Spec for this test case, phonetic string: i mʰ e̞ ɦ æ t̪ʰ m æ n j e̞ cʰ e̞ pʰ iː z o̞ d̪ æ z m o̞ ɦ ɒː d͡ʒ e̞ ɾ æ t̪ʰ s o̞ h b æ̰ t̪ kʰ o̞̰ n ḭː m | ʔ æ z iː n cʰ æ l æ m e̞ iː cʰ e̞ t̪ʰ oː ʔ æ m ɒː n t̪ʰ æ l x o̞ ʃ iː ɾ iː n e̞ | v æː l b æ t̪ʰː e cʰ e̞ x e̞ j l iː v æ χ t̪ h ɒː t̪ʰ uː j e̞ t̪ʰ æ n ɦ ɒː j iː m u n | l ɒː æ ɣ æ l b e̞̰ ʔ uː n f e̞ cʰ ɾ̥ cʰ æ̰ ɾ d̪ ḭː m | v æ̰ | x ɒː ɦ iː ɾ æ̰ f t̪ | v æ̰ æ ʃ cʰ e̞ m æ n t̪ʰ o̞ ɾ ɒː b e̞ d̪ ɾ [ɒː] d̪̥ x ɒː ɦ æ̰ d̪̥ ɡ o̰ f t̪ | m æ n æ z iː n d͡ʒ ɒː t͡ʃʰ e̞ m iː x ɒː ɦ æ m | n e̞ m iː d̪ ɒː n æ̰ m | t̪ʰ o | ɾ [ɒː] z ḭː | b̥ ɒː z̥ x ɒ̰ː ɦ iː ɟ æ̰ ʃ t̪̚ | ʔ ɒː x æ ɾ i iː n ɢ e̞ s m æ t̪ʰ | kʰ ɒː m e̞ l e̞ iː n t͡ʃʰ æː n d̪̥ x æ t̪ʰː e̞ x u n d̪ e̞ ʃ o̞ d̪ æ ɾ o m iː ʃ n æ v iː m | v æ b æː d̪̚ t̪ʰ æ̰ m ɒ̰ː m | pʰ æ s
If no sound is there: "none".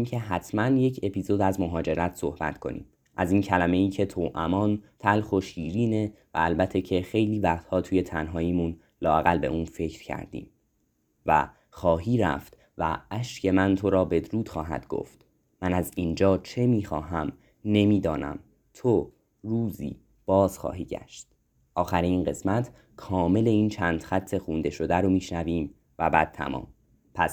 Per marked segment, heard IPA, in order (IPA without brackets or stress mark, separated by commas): uː, uː